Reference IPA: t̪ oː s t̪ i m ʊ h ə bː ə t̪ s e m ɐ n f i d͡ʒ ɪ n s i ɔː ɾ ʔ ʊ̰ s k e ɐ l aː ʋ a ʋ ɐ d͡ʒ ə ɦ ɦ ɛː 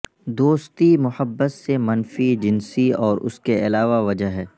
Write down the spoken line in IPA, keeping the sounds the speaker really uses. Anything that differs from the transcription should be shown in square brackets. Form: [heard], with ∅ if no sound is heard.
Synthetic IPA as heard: [d̪] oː s t̪ i m ʊ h ə bː ə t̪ s e m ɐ n f i d͡ʒ ɪ n s i ɔː ɾ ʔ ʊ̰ s k e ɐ l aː ʋ a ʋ ɐ d͡ʒ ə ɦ ɦ ɛː